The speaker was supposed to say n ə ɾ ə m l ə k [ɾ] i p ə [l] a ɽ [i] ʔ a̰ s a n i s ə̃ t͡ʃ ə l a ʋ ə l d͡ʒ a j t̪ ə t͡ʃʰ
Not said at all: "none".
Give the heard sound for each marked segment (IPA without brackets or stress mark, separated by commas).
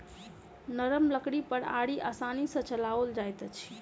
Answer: ɽ, ɾ, i